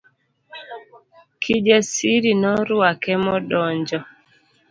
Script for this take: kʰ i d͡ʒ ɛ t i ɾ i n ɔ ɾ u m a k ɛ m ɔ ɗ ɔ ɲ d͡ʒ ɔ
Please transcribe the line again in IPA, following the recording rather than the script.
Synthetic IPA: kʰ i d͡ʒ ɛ s i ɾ i n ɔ ɾ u a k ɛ m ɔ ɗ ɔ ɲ d͡ʒ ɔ